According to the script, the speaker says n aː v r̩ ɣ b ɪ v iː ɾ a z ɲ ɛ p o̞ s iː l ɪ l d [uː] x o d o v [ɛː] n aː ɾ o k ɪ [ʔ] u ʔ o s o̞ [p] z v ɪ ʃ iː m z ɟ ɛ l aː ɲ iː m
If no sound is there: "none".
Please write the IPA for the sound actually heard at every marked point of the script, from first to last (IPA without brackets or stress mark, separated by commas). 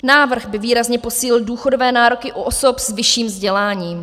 uː, ɛː, ʔ, p